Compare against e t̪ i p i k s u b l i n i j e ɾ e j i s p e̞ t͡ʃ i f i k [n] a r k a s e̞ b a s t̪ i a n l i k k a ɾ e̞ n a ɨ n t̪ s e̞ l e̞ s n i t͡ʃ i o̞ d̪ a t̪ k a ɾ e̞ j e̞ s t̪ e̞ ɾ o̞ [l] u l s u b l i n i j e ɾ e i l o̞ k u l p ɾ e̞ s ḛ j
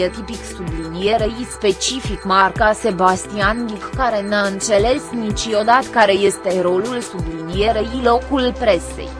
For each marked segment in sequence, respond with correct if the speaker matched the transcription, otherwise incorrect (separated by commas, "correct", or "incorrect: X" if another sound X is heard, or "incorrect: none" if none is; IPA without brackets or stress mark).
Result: incorrect: m, correct